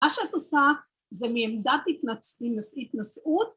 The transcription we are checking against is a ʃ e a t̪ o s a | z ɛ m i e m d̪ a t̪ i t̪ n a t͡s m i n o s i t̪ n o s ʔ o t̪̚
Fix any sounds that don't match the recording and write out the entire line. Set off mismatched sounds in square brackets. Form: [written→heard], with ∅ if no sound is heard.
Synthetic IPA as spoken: a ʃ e a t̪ o s a | z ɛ m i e m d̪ a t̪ i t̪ n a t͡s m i n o s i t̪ n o s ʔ [o→u] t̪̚